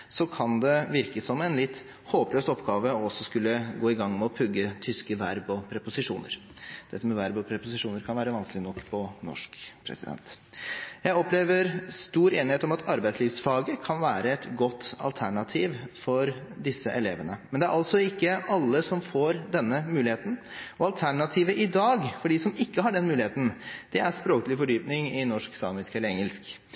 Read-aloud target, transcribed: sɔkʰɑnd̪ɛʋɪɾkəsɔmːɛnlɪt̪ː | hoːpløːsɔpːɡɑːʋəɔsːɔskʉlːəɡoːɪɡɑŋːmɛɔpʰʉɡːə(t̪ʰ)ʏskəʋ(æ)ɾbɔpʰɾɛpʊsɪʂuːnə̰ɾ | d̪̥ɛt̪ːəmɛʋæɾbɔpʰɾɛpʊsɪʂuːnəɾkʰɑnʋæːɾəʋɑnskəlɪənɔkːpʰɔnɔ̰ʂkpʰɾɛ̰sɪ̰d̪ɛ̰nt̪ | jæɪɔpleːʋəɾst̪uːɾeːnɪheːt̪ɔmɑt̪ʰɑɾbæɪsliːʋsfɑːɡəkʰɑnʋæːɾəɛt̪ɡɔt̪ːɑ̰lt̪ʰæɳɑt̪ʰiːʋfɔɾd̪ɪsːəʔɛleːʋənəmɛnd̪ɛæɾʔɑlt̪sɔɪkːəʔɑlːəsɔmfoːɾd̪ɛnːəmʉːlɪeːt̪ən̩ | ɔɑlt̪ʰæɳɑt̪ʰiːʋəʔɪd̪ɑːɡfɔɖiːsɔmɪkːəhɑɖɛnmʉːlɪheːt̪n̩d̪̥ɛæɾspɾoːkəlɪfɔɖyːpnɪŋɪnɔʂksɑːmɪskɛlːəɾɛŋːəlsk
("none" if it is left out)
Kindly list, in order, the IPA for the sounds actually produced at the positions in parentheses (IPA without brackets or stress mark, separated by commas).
t̪ʰ, æ